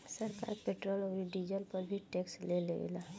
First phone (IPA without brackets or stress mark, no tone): s